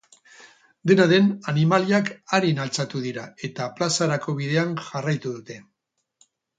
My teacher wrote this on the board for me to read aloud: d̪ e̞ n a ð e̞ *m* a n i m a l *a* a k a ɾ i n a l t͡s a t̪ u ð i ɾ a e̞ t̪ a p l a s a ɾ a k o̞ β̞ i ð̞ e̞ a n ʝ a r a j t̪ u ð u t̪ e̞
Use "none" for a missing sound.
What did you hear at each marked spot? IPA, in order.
n, i

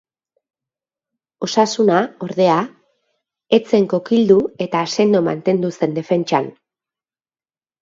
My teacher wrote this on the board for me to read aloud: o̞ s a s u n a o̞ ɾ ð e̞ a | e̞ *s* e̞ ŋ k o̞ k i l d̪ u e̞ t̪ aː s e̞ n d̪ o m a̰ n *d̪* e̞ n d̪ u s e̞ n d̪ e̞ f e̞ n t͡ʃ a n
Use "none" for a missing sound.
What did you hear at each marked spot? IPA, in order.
t͡s, t̪

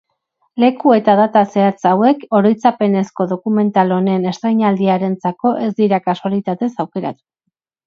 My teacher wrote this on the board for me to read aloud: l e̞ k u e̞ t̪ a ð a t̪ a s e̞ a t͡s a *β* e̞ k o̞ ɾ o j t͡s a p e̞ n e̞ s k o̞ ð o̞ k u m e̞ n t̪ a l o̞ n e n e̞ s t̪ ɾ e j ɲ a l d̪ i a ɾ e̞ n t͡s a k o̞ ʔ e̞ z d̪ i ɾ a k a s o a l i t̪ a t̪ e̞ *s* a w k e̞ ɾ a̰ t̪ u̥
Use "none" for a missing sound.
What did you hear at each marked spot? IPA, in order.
w, s

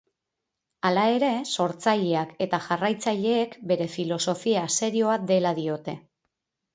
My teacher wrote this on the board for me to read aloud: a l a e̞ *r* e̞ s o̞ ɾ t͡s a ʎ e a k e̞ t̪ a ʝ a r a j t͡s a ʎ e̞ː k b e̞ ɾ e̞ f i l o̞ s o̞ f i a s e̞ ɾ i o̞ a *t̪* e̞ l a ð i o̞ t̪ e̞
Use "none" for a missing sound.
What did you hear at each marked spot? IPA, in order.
ɾ, d̪

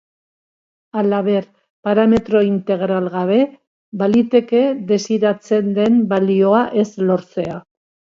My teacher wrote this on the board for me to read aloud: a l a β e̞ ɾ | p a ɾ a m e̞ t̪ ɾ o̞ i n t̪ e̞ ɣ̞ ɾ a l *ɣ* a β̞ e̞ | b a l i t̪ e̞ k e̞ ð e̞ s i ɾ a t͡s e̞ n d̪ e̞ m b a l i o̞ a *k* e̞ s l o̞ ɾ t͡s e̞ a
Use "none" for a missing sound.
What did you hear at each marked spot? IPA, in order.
ɣ, ʔ

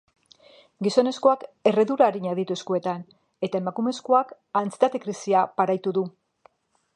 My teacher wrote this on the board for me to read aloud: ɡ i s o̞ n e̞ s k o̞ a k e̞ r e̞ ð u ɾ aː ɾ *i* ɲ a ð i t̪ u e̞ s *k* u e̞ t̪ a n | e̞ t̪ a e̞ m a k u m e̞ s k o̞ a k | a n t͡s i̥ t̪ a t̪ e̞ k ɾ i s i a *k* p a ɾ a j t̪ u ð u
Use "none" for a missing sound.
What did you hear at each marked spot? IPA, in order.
i, k, none

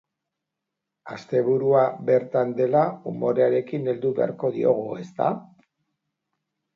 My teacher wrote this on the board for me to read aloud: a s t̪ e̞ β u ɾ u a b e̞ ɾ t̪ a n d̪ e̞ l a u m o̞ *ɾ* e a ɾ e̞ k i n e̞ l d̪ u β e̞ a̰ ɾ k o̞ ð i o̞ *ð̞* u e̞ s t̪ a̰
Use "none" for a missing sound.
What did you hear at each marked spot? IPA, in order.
ɾ, ɣ̞

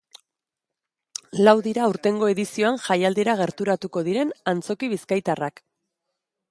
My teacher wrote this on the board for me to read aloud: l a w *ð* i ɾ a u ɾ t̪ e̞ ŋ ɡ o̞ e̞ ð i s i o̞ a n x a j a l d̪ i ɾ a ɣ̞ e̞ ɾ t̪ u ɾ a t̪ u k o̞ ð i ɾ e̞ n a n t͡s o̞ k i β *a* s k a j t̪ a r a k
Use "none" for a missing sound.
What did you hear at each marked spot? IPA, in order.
ð, i

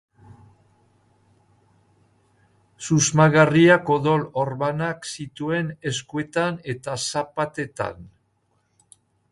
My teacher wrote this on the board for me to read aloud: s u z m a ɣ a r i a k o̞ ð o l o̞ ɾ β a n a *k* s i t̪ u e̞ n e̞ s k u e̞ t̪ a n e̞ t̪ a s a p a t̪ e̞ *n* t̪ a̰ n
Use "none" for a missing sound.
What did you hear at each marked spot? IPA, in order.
k, none

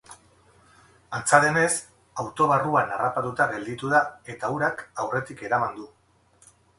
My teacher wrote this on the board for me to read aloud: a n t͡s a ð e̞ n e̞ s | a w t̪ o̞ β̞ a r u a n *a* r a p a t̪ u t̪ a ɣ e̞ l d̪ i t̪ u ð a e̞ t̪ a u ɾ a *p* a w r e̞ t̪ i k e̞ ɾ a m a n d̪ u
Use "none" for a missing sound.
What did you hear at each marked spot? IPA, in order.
a, k

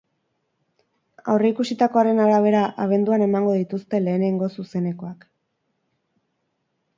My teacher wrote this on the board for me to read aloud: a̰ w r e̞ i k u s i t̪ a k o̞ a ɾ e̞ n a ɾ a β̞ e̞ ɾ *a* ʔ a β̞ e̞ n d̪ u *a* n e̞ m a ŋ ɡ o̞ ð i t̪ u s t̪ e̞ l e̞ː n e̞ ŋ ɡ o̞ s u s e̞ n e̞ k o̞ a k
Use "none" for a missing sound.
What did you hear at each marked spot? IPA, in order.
a, a

